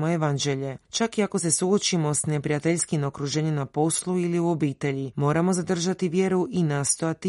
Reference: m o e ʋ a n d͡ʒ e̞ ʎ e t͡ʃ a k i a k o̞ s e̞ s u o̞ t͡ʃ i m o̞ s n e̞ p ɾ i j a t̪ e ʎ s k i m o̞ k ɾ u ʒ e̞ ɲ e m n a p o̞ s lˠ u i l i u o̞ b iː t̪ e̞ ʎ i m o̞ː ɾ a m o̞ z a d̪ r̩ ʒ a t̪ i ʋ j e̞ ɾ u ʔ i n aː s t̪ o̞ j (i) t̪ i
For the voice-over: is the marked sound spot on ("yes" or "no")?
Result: no